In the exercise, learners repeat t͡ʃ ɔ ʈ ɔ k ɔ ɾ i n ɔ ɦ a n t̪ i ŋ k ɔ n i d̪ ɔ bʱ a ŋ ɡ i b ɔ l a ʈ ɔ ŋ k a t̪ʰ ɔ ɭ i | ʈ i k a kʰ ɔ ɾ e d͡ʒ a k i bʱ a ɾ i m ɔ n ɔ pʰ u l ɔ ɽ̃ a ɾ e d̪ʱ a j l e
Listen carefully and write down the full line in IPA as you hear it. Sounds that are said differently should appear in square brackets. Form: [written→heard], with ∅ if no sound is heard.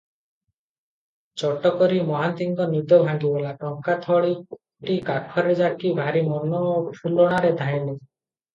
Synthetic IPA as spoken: t͡ʃ ɔ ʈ ɔ k ɔ ɾ i [n→m] ɔ ɦ a n t̪ i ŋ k ɔ n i d̪ ɔ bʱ a ŋ ɡ i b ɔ l a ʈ ɔ ŋ k a t̪ʰ ɔ ɭ i | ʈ i k a kʰ ɔ ɾ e d͡ʒ a k i bʱ a ɾ i m ɔ n ɔ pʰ u l ɔ ɽ̃ a ɾ e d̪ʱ a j l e

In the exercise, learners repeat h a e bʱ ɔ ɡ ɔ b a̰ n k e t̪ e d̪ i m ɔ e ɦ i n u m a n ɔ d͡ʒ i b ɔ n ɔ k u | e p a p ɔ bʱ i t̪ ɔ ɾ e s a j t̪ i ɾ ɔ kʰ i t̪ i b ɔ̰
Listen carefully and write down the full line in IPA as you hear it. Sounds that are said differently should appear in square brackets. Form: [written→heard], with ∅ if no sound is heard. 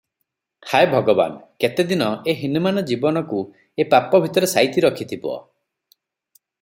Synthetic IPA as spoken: h a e bʱ ɔ ɡ ɔ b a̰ n k e t̪ e d̪ i [m→n] ɔ e ɦ i n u m a n ɔ d͡ʒ i b ɔ n ɔ k u | e p a p ɔ bʱ i t̪ ɔ ɾ e s a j t̪ i ɾ ɔ kʰ i [t̪→t̪ʰ] i b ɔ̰

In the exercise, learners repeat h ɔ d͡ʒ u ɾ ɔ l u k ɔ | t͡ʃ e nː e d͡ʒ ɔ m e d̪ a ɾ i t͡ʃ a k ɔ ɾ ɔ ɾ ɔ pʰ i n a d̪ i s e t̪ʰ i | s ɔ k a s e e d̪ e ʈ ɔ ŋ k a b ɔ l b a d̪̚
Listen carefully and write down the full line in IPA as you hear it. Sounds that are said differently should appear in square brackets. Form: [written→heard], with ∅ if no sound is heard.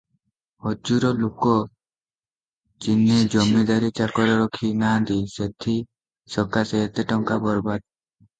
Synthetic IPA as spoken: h ɔ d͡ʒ u ɾ ɔ l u k ɔ | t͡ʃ [e→i] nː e d͡ʒ ɔ m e d̪ a ɾ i t͡ʃ a k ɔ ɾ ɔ ɾ ɔ [pʰ→kʰ] i n a d̪ i s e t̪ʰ i | s ɔ k a s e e [d̪→t̪] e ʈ ɔ ŋ k a b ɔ [l→ɾ] b a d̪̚

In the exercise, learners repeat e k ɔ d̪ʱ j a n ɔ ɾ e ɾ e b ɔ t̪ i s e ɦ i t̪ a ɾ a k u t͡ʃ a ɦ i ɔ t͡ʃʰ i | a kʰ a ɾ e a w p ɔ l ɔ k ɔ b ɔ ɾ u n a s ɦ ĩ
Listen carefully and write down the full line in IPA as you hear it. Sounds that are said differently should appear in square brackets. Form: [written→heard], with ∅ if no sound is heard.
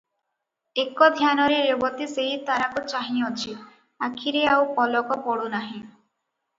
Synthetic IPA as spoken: e k ɔ d̪ʱ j a n ɔ ɾ e ɾ e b ɔ t̪ i s e ɦ i t̪ a ɾ a k u t͡ʃ a ɦ i ɔ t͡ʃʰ i | a kʰ [a→i] ɾ e a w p ɔ l ɔ k ɔ [b→p] ɔ [ɾ→ɽ] u n a [s→∅] ɦ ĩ

